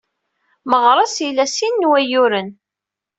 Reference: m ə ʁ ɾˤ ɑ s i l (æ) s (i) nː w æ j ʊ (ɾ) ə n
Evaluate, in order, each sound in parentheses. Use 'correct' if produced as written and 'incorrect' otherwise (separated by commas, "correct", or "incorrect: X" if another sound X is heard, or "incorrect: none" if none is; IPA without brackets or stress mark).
correct, correct, correct